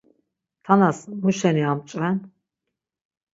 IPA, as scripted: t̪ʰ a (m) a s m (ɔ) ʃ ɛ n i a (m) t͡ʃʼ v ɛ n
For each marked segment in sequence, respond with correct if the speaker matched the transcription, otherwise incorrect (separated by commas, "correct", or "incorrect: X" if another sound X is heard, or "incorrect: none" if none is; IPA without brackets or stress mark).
incorrect: n, incorrect: u, correct